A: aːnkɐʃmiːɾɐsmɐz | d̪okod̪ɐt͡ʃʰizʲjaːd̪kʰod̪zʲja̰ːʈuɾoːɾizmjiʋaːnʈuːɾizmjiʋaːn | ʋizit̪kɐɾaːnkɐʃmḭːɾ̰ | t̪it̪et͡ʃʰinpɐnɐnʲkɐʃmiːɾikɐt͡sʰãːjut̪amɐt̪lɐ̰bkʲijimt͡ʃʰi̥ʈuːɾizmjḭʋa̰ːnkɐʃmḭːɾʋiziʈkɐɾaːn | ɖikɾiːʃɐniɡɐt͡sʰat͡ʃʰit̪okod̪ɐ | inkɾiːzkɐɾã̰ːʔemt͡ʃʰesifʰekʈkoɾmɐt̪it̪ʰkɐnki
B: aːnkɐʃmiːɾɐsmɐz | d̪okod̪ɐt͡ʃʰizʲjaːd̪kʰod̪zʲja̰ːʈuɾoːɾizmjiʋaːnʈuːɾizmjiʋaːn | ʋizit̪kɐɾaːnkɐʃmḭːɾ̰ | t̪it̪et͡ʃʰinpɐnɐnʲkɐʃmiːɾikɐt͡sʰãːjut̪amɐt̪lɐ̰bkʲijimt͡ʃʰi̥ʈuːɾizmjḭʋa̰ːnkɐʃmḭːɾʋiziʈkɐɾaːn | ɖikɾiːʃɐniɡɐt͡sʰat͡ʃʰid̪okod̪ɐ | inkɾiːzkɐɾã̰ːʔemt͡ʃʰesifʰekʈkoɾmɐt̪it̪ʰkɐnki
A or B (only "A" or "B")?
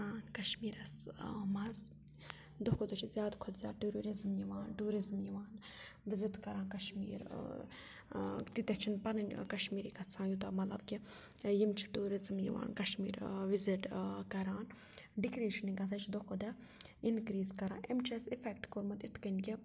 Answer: B